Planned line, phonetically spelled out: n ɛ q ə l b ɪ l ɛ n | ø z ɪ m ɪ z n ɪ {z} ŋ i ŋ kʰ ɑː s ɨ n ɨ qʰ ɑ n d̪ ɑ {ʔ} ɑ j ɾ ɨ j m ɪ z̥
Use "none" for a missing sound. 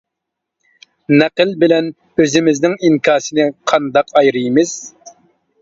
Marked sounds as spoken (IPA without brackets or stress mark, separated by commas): none, q